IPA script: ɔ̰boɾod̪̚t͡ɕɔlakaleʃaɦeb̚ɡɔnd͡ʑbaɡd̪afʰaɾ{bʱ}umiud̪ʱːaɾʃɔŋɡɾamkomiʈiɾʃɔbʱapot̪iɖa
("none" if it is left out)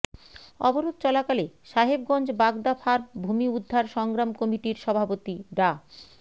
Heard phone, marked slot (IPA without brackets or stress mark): bʱ